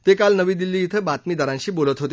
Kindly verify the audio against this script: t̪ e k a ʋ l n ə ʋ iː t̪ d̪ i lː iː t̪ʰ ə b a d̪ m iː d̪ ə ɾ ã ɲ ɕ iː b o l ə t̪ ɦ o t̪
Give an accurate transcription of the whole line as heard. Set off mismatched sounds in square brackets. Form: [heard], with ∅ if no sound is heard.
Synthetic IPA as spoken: t̪ e k a [∅] l n ə ʋ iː [∅] d̪ i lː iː t̪ʰ ə b a [t̪] m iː d̪ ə ɾ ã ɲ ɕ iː b o l ə t̪ ɦ o t̪